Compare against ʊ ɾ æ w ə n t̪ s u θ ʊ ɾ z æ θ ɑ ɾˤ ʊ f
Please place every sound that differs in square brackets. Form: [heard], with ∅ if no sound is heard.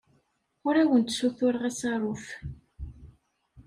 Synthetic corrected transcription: ʊ ɾ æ w ə n t̪ s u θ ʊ ɾ [ʁ] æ [s] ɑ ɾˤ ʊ f